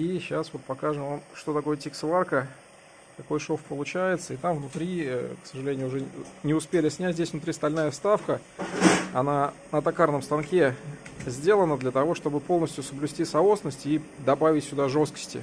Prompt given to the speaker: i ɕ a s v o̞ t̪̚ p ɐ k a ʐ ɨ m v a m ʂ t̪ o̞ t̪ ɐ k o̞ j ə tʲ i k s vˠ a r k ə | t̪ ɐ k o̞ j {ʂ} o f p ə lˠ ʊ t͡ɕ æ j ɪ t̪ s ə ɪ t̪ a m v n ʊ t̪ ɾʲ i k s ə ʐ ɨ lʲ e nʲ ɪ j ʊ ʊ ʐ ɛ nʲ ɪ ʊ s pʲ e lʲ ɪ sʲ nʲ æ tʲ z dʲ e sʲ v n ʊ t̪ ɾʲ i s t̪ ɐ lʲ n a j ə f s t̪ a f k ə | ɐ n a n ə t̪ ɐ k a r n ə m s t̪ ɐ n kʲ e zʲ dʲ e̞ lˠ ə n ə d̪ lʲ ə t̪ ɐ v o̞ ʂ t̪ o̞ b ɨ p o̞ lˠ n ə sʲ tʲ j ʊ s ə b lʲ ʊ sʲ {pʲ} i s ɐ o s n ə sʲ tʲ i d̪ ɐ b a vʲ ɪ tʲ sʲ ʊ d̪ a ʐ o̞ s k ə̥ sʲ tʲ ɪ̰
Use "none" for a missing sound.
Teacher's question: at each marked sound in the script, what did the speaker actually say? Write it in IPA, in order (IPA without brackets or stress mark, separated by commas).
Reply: ʂ, tʲ